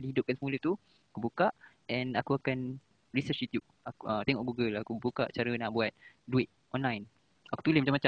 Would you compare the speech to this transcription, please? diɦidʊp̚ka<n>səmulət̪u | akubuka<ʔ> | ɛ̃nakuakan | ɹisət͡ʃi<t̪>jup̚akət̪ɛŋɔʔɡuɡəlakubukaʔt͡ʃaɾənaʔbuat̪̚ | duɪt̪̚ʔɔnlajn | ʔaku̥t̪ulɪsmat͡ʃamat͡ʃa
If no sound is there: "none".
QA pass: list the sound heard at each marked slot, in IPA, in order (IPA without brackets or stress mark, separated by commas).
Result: n, ʔ, t̪